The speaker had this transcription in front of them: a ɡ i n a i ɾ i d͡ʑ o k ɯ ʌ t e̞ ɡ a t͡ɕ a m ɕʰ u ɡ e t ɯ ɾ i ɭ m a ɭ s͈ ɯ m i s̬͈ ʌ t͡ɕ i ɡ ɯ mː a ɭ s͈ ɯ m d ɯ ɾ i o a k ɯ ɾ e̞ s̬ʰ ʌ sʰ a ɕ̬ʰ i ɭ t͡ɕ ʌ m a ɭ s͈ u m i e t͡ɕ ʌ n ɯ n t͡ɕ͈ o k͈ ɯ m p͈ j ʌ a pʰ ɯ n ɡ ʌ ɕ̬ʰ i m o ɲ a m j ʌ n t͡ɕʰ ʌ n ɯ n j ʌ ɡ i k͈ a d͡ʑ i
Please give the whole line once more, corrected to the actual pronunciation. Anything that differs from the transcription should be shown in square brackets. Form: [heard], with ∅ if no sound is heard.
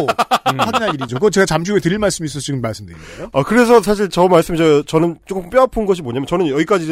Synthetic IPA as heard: a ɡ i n a i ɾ i d͡ʑ o k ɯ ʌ [t͡ɕ] e̞ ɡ a t͡ɕ a m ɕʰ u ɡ e t ɯ ɾ i ɭ m a ɭ s͈ ɯ m i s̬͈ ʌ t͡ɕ i ɡ ɯ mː a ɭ s͈ ɯ m d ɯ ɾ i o a k ɯ ɾ e̞ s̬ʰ ʌ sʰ a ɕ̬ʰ i ɭ t͡ɕ ʌ m a ɭ s͈ [ɯ] m i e t͡ɕ ʌ n ɯ n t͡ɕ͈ o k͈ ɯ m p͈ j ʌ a pʰ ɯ n ɡ ʌ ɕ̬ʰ i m o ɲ a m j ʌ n [t͡ɕ] ʌ n ɯ n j ʌ ɡ i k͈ a d͡ʑ i